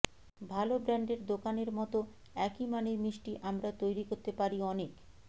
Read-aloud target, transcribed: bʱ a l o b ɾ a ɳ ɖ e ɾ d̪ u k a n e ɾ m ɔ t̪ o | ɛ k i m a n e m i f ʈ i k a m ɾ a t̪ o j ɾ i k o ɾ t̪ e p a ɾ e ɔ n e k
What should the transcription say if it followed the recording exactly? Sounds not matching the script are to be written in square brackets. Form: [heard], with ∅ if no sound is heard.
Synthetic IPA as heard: bʱ a l o b ɾ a ɳ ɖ e ɾ d̪ [o] k a n e ɾ m ɔ t̪ o | ɛ k i m a n e m i [ʃ] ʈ i [ʔ] a m ɾ a t̪ o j ɾ i k o ɾ t̪ e p a ɾ [i] ɔ n e k